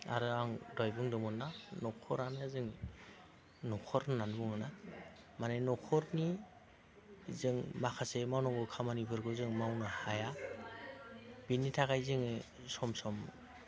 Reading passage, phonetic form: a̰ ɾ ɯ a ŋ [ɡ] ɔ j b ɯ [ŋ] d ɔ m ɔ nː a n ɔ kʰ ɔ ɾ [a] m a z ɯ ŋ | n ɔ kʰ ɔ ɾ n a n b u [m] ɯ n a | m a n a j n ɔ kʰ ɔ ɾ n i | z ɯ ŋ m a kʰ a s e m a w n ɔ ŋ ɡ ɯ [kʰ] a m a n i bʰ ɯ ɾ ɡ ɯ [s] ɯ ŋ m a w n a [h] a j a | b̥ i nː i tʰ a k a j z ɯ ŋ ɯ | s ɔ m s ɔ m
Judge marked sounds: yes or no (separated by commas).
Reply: no, yes, yes, no, yes, no, yes